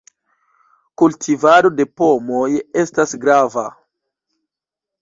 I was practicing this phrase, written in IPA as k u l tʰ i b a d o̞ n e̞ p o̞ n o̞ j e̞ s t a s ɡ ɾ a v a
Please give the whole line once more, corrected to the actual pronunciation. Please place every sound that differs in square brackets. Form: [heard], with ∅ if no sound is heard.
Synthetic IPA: k u l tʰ i [v] a d o̞ [d] e̞ p o̞ [m] o̞ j e̞ s t a s ɡ ɾ a v a